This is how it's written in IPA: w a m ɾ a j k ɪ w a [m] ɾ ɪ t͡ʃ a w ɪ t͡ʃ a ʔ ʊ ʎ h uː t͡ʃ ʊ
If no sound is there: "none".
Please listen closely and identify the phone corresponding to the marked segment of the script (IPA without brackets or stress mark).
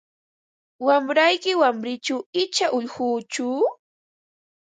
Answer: m